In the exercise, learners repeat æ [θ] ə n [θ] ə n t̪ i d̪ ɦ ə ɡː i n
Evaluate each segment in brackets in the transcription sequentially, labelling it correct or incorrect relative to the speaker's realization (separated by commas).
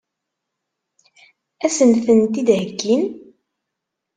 incorrect, correct